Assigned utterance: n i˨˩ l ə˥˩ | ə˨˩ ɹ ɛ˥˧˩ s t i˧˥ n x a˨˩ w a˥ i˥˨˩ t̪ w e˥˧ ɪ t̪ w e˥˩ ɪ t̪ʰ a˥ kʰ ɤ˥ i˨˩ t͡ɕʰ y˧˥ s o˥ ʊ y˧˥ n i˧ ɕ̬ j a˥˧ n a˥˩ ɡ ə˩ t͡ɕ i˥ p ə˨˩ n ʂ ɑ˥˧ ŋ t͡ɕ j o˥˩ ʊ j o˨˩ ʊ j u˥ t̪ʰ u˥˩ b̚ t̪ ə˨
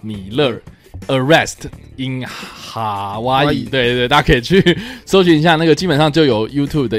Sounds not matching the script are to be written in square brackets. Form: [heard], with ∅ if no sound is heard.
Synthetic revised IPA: n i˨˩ l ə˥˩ | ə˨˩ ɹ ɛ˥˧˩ s t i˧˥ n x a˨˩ w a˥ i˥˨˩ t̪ w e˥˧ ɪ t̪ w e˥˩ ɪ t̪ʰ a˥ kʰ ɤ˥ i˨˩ t͡ɕʰ [y˥˩] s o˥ ʊ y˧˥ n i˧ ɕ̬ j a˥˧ n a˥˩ ɡ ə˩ t͡ɕ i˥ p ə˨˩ n ʂ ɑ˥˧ ŋ t͡ɕ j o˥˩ ʊ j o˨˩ ʊ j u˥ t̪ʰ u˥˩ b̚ [d̪] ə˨